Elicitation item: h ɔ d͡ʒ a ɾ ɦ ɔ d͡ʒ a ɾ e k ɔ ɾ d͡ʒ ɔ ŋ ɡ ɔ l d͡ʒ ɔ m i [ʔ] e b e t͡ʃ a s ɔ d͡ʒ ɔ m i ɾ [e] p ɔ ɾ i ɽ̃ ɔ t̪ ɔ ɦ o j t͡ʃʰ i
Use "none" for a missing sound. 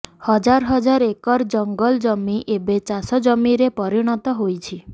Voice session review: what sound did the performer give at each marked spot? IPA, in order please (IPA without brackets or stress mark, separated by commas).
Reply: ʔ, e